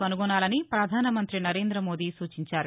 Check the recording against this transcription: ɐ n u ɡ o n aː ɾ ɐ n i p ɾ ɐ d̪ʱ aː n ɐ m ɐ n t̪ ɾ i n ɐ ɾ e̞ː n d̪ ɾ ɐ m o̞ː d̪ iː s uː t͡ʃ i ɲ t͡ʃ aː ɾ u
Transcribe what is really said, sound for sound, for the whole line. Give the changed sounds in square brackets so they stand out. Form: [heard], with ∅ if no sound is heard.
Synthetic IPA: ɐ n u ɡ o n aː [l] ɐ n i p ɾ ɐ d̪ʱ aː n ɐ m ɐ n t̪ ɾ i n ɐ ɾ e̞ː n d̪ ɾ ɐ m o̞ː d̪ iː s uː t͡ʃ i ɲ t͡ʃ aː ɾ u